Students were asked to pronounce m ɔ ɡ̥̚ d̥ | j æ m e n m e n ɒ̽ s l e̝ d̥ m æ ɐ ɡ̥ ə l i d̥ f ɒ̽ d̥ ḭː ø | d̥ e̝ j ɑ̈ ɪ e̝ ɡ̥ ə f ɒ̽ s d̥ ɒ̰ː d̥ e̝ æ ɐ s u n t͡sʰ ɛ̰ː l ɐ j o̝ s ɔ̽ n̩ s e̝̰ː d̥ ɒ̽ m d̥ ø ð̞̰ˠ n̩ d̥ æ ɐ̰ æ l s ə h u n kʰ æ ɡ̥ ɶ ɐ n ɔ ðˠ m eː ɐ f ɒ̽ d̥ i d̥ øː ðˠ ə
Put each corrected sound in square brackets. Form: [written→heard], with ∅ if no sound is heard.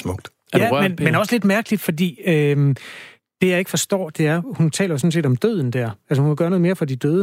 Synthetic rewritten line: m ɔ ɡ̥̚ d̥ | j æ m e n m e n ɒ̽ s l e̝ d̥ m æ ɐ ɡ̥ ə l i d̥ f ɒ̽ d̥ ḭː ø | d̥ e̝ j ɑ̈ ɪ e̝ ɡ̥ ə f ɒ̽ s d̥ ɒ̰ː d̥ e̝ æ ɐ [s→h] u n t͡sʰ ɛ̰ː l ɐ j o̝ s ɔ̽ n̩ s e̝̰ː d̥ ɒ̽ m d̥ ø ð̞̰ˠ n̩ d̥ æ ɐ̰ æ l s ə h u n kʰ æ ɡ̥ ɶ ɐ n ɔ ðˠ m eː ɐ f ɒ̽ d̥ i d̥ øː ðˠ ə